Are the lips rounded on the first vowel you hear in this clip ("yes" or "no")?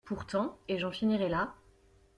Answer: yes